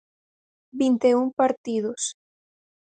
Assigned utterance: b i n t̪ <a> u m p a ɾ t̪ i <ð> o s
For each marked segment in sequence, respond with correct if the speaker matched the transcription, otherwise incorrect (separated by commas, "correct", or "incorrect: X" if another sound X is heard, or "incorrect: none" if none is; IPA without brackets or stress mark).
incorrect: e, correct